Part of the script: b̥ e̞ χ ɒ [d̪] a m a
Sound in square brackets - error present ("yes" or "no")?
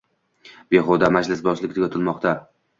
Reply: no